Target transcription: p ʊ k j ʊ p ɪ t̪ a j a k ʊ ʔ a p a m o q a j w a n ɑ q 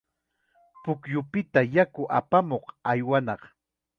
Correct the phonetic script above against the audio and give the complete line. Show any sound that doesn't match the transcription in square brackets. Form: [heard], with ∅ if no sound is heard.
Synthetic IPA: p ʊ k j ʊ p ɪ t̪ a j a k ʊ ʔ a p a m o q a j w a n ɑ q